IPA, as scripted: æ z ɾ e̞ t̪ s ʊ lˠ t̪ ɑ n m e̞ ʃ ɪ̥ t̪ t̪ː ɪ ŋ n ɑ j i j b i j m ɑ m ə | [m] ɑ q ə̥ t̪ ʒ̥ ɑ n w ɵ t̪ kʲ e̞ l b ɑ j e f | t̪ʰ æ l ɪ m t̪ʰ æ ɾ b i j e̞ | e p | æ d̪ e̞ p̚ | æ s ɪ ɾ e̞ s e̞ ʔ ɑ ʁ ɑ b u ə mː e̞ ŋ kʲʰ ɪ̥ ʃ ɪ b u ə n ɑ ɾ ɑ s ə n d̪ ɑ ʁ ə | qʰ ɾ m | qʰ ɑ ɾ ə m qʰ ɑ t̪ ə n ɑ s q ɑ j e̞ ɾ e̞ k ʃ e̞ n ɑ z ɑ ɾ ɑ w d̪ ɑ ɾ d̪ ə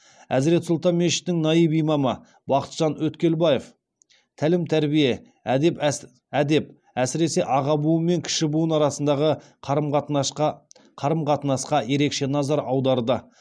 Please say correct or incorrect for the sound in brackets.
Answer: incorrect